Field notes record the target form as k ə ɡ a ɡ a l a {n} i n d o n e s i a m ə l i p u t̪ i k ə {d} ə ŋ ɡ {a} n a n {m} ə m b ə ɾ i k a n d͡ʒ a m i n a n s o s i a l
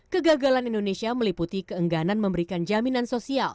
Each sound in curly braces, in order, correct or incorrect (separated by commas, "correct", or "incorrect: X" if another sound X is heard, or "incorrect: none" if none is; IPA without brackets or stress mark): correct, incorrect: none, correct, correct